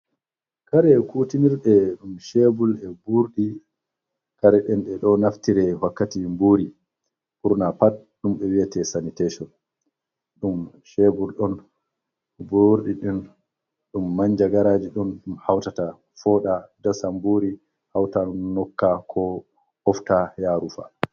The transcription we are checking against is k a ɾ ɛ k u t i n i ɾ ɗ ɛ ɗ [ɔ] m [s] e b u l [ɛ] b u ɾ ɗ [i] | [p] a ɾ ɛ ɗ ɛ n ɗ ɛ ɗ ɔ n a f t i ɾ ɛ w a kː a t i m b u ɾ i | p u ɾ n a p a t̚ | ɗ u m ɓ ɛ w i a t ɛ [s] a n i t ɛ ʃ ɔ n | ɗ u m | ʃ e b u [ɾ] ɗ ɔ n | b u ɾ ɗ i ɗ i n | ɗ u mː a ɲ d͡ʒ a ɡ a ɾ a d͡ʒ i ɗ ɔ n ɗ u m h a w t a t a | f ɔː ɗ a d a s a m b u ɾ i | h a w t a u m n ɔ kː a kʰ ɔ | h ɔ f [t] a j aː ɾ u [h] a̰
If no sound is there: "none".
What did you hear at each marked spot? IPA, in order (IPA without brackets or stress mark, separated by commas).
u, ʃ, ɛ, i, k, s, l, t, f